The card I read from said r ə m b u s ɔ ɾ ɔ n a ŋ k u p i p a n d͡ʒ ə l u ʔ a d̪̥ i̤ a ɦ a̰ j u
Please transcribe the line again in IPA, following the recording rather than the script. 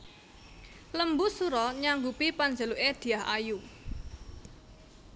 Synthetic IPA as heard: l ə m b u s u ɾ ɔ ɲ a ŋ ɡ u p i p a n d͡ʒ ə l u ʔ e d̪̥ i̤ a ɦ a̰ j u